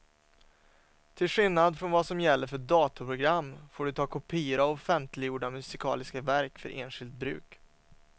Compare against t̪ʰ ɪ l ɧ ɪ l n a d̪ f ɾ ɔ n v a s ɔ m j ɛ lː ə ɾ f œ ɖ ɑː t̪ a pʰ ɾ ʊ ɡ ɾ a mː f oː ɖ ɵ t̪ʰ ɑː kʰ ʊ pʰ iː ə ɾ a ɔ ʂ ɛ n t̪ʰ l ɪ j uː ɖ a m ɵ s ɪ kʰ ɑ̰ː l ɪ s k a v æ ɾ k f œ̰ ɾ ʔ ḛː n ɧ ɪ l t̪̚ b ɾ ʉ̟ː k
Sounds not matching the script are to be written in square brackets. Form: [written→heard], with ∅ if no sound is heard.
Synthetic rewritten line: t̪ʰ ɪ l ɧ ɪ l n a d̪ f ɾ ɔ n v a s ɔ m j ɛ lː ə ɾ f œ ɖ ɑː t̪ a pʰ ɾ ʊ ɡ ɾ a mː f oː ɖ ɵ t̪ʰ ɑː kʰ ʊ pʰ iː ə ɾ a ɔ [ʂ→f] ɛ n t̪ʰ l ɪ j uː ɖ a m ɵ s ɪ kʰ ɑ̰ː l ɪ s k a v æ ɾ k f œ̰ ɾ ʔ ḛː n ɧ ɪ l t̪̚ b ɾ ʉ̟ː k

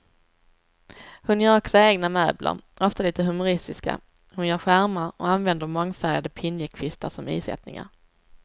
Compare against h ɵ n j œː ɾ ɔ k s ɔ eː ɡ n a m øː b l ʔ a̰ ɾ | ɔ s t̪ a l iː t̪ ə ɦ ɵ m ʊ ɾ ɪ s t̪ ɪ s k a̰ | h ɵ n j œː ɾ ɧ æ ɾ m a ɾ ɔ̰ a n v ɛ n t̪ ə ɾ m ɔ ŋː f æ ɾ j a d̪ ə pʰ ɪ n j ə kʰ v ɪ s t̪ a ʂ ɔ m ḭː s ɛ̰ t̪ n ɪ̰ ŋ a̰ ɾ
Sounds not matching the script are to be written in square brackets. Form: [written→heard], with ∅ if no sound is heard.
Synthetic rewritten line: h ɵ n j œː ɾ ɔ k s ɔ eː ɡ n a m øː b l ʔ a̰ ɾ | ɔ [s→f] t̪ a l iː t̪ ə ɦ ɵ m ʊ ɾ ɪ s t̪ ɪ s k a̰ | h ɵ n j œː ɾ ɧ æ ɾ m a ɾ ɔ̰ a n v ɛ n [t̪→d̪] ə ɾ m ɔ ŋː f æ ɾ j a d̪ ə pʰ ɪ n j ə kʰ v ɪ s t̪ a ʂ ɔ m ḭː s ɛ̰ t̪ n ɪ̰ ŋ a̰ ɾ

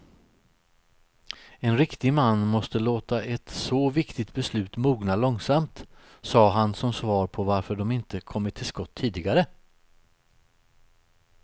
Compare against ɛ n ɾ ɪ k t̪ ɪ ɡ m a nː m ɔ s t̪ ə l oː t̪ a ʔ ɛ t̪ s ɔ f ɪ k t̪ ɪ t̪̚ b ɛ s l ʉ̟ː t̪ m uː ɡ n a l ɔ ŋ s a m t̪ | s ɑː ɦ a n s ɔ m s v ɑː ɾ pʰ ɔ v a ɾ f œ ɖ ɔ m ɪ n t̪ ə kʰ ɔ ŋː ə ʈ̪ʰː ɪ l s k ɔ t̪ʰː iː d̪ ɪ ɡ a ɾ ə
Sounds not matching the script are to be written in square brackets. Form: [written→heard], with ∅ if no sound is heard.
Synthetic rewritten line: ɛ n ɾ ɪ k t̪ ɪ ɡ m a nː m ɔ s t̪ ə l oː t̪ a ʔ ɛ t̪ s ɔ [f→v] ɪ k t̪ ɪ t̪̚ b ɛ s l ʉ̟ː t̪ m uː ɡ n a l ɔ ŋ s a m t̪ | s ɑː ɦ a n s ɔ m s v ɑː ɾ pʰ ɔ v a ɾ f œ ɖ ɔ m ɪ n t̪ ə kʰ ɔ [ŋː→mː] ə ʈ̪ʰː ɪ l s k ɔ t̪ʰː iː d̪ ɪ ɡ a ɾ ə

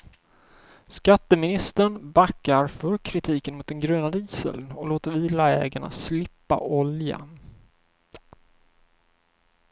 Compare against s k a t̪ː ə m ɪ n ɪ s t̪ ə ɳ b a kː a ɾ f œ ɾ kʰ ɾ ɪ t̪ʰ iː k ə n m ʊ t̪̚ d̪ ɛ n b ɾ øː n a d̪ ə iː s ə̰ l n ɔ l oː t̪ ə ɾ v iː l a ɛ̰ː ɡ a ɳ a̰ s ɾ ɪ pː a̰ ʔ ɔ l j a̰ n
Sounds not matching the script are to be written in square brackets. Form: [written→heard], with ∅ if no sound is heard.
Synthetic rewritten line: s k a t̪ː ə m ɪ n ɪ s t̪ ə ɳ b a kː a ɾ f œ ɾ kʰ ɾ ɪ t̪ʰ iː k ə n m ʊ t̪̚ d̪ ɛ n [b→ɡ] ɾ øː n a d̪ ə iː s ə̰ l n ɔ l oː t̪ ə ɾ v iː l a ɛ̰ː ɡ a ɳ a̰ s [ɾ→l] ɪ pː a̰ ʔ ɔ l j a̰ n

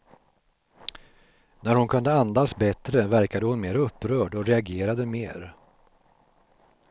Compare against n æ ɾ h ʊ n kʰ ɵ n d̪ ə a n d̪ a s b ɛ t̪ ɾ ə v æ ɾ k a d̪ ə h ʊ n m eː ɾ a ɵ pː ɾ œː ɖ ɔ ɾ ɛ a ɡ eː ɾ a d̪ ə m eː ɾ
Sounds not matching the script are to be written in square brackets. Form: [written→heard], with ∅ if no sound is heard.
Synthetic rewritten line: n æ ɾ h ʊ n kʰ ɵ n d̪ ə a n d̪ a s b ɛ t̪ ɾ ə v æ ɾ k a d̪ ə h ʊ n m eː ɾ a ɵ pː ɾ œː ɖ ɔ ɾ ɛ a ɡ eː ɾ a d̪ ə m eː ɾ

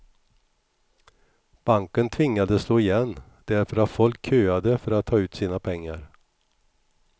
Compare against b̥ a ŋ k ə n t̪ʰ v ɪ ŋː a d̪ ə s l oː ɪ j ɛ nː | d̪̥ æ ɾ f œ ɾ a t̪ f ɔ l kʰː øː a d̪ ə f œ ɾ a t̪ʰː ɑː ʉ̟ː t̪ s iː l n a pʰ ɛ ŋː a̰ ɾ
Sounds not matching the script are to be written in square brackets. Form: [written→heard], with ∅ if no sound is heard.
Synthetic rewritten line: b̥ a ŋ k ə n t̪ʰ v ɪ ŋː a d̪ ə s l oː ɪ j ɛ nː | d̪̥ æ ɾ f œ ɾ a t̪ f ɔ l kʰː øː a d̪ ə f œ ɾ a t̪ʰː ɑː ʉ̟ː t̪ s iː [l→∅] n a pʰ ɛ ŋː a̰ ɾ

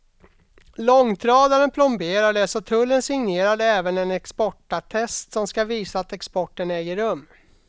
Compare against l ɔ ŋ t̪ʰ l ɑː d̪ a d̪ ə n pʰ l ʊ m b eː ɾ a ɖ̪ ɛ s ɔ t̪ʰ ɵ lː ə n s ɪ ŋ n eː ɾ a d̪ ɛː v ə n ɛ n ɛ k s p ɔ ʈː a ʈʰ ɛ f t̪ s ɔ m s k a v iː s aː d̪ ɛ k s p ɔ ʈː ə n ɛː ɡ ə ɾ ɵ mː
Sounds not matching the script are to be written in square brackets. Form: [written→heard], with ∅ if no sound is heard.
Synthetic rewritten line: l ɔ ŋ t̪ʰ [l→ɾ] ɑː d̪ a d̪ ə n pʰ l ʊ m b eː ɾ a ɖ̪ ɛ s ɔ t̪ʰ ɵ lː ə n s ɪ ŋ n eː ɾ a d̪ ɛː v ə n ɛ n ɛ k s p ɔ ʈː a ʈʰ ɛ [f→s] t̪ s ɔ m s k a v iː s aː [d̪→t̪] ɛ k s p ɔ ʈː ə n ɛː ɡ ə ɾ ɵ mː

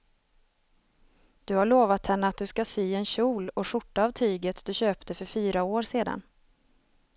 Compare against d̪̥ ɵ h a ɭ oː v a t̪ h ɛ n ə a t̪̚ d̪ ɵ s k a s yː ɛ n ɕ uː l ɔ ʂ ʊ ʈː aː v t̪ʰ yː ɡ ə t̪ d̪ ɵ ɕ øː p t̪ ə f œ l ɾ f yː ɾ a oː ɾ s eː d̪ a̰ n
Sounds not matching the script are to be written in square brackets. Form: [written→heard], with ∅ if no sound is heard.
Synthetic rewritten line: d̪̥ ɵ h a ɭ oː v a t̪ h ɛ [n→nː] ə a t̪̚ d̪ ɵ s k a s yː ɛ n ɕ uː l ɔ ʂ ʊ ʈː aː v t̪ʰ yː ɡ ə t̪ d̪ ɵ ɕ øː p t̪ ə f œ [l→∅] ɾ f yː ɾ a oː ɾ s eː d̪ a̰ n

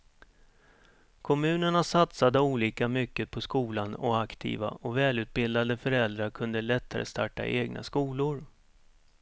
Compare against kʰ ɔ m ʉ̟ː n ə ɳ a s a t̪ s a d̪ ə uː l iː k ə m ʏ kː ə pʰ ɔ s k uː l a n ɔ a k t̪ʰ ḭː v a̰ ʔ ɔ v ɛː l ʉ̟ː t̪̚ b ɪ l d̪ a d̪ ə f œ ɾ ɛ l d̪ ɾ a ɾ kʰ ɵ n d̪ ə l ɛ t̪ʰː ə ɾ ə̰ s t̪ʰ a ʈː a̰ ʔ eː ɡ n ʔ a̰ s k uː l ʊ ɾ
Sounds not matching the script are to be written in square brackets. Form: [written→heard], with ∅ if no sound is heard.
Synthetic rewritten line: kʰ ɔ m ʉ̟ː n ə ɳ a s a t̪ s a d̪ ə uː l iː k [ə→a] m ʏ kː ə pʰ ɔ s k uː l a n ɔ a k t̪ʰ ḭː v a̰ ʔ ɔ v ɛː l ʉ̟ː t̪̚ b ɪ l d̪ a d̪ ə f œ ɾ ɛ l d̪ ɾ a ɾ kʰ ɵ n d̪ ə l ɛ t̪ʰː [ə→a] ɾ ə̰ s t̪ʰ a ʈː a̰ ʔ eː ɡ n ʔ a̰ s k uː l ʊ ɾ

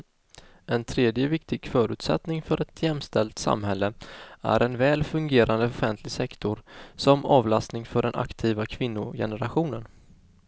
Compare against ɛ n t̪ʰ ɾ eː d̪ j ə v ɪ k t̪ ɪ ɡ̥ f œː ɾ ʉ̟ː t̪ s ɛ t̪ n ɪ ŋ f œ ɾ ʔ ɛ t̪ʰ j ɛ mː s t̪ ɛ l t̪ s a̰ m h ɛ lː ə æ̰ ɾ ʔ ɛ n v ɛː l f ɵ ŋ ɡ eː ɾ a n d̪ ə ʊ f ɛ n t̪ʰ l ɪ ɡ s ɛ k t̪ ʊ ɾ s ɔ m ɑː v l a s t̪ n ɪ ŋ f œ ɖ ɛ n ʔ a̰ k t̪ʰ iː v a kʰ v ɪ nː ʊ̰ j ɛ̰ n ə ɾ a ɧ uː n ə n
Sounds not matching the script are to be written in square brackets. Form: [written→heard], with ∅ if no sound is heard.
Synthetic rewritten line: ɛ n t̪ʰ ɾ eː d̪ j ə v ɪ k t̪ ɪ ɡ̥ f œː ɾ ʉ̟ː t̪ s ɛ t̪ n ɪ ŋ f œ ɾ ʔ ɛ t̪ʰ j ɛ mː s t̪ ɛ l t̪ s a̰ m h ɛ lː ə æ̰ ɾ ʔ ɛ n v ɛː l f ɵ ŋ ɡ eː ɾ a n d̪ ə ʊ f ɛ n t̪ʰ l ɪ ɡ s ɛ k t̪ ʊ ɾ s ɔ m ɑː v l a s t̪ n ɪ ŋ f œ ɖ ɛ n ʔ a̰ k t̪ʰ iː v a kʰ v ɪ nː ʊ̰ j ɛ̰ n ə ɾ a ɧ uː n ə n

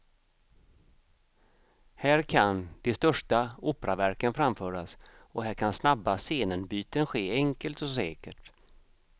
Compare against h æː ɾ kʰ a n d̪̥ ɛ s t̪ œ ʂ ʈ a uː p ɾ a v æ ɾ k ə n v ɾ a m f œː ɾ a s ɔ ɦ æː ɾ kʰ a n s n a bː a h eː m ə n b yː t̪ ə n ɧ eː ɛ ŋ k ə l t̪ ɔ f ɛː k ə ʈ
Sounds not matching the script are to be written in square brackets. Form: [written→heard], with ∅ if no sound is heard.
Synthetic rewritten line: h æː ɾ kʰ a n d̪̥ ɛ s t̪ œ ʂ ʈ a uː p ɾ a v æ ɾ k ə n [v→f] ɾ a m f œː ɾ a s ɔ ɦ æː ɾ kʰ a n s n a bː a [h→s] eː [m→n] ə n b yː t̪ ə n ɧ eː ɛ ŋ k ə l t̪ ɔ [f→s] ɛː k ə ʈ

